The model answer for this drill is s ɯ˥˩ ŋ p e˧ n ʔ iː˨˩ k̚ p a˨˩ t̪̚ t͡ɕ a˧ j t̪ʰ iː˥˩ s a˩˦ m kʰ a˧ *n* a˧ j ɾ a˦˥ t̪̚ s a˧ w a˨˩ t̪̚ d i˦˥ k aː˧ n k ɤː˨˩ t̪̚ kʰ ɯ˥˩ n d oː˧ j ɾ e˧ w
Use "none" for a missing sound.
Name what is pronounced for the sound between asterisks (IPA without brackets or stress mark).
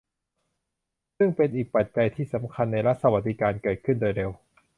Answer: nː